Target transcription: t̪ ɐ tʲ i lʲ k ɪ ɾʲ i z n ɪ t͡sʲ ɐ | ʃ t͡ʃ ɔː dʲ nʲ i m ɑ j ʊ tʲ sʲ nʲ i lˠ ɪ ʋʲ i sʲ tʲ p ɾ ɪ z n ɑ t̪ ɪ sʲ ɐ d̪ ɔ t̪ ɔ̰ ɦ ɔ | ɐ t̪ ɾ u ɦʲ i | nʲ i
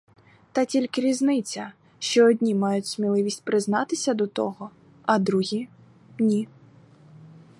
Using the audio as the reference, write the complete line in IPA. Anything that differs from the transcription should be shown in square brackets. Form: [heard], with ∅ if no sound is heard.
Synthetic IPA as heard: t̪ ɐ tʲ i lʲ k ɪ ɾʲ i z n ɪ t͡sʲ ɐ | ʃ t͡ʃ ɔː dʲ nʲ i m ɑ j ʊ tʲ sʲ [mʲ] i lˠ ɪ ʋʲ i sʲ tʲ p ɾ ɪ z n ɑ t̪ ɪ sʲ ɐ d̪ ɔ t̪ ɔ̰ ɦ ɔ | ɐ [d̪] ɾ u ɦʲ i | nʲ i